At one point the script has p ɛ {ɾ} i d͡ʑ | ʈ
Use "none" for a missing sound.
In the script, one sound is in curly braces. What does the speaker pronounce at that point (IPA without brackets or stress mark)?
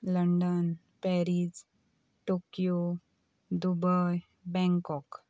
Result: ɾ